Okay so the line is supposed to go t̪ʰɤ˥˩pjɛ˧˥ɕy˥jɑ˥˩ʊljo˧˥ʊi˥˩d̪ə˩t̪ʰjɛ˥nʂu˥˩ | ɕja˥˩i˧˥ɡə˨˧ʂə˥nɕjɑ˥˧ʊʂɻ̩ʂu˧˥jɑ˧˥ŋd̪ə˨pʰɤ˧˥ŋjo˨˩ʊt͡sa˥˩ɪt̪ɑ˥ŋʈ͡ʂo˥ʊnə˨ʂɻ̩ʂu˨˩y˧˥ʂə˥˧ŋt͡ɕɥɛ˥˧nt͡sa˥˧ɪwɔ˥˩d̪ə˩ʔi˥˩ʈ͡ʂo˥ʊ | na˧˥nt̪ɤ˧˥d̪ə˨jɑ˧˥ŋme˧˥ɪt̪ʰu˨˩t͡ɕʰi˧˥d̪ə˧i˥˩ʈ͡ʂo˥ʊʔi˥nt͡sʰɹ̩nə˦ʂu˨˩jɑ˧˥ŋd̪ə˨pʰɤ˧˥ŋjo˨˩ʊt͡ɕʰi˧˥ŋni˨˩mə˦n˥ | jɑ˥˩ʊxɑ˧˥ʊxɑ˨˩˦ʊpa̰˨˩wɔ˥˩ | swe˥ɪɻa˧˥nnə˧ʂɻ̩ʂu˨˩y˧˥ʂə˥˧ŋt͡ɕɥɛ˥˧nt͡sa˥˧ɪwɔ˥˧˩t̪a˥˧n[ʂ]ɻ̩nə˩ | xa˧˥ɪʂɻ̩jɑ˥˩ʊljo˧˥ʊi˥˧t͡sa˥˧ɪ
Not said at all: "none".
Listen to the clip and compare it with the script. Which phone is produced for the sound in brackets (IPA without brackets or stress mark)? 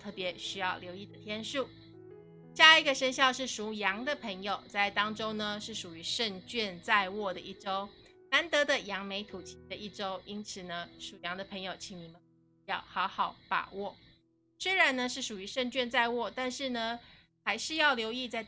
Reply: ʂ